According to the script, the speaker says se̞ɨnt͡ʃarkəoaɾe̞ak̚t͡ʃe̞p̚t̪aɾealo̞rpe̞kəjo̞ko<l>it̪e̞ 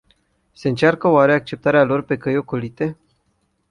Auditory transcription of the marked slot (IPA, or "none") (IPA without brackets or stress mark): l